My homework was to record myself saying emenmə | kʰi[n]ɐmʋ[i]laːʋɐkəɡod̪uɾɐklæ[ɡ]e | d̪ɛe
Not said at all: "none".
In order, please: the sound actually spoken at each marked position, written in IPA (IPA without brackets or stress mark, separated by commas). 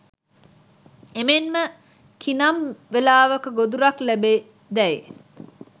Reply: n, e, b